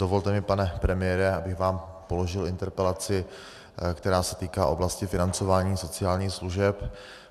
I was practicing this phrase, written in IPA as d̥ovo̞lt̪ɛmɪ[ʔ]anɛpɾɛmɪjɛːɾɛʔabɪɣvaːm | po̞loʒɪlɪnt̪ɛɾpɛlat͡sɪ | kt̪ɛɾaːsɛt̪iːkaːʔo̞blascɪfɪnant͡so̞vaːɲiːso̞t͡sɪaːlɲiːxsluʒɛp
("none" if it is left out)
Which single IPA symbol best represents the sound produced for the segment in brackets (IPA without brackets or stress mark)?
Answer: p